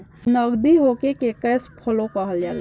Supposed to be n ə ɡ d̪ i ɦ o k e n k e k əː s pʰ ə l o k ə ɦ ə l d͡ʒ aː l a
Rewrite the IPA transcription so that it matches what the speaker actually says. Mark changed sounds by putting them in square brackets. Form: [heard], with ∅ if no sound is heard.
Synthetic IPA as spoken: n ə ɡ d̪ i ɦ o k e [∅] k e k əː s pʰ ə l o k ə ɦ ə l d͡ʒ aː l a